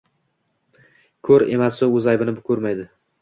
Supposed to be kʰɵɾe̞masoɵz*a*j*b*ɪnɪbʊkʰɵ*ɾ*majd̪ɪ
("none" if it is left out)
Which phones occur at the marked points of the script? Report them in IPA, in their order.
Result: a, b, ɾ

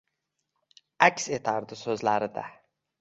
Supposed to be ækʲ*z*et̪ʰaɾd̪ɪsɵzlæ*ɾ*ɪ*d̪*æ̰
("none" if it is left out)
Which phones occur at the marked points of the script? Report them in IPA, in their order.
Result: s, ɾ, d̪

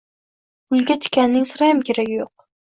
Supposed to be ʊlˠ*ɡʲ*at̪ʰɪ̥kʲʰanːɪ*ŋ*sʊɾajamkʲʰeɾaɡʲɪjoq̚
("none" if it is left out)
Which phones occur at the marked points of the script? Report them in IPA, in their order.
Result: ɡʲ, ŋ

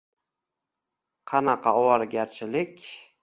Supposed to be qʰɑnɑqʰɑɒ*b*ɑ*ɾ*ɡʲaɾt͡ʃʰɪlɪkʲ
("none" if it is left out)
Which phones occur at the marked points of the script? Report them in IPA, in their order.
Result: w, ɾ

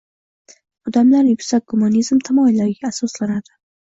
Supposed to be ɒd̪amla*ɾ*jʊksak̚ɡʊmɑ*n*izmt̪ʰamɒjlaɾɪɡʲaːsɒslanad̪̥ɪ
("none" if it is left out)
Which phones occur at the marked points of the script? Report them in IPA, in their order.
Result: ɾ, n

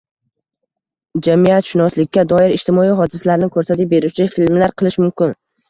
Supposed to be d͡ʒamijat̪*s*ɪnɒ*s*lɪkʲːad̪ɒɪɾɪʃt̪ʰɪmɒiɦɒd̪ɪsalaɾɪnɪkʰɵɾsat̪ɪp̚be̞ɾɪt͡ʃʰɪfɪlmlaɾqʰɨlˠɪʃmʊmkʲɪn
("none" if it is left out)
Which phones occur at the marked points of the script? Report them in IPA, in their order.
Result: ʃ, s

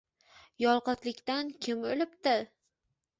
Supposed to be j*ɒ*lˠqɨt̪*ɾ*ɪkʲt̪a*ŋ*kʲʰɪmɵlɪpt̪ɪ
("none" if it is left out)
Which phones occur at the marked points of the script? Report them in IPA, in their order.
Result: ɒ, l, n

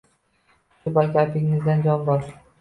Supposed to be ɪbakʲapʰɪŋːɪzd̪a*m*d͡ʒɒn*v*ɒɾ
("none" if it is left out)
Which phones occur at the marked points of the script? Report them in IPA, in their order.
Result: n, b

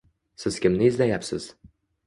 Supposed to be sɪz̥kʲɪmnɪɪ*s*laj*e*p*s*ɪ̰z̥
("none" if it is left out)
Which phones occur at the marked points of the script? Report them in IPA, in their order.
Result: z, a, s

